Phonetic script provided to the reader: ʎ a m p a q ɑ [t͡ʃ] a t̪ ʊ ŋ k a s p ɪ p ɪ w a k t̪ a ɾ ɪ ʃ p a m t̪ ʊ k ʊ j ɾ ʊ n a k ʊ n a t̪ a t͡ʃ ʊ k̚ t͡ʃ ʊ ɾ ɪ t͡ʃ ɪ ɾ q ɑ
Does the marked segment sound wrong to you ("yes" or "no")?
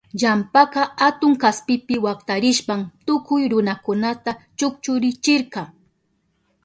yes